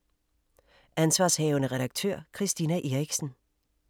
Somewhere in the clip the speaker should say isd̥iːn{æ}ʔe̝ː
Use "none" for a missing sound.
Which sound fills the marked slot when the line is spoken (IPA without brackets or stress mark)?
æ